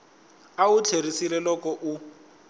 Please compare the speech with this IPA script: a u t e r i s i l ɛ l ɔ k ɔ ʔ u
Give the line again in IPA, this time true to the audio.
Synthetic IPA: a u t͡ɬʰ e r i s i l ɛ l ɔ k ɔ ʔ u